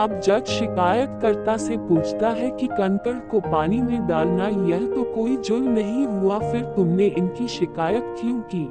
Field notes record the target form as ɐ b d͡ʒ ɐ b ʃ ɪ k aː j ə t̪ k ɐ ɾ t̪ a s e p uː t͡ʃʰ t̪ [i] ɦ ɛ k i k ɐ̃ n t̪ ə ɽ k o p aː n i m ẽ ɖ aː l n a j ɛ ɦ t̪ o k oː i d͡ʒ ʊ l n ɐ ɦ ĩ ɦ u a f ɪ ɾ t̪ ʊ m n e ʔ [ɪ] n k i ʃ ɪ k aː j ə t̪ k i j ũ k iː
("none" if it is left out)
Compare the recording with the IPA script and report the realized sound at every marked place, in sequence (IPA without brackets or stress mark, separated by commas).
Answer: a, ɪ